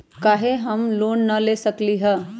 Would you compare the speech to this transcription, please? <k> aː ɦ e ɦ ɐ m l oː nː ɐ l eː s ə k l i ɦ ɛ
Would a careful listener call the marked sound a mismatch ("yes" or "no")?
no